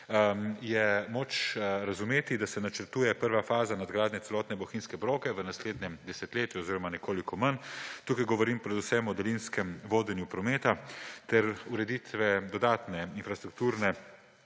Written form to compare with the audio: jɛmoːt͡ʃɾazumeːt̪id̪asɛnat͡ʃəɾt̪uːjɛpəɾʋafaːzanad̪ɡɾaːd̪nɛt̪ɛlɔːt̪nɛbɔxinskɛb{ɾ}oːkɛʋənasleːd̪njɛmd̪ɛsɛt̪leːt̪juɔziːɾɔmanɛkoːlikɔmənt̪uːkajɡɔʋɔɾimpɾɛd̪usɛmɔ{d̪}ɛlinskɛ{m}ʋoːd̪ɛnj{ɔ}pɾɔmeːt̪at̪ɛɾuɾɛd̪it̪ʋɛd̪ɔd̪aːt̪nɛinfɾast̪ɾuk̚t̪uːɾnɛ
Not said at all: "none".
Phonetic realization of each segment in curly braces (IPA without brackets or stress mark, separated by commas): ɾ, d̪, m, u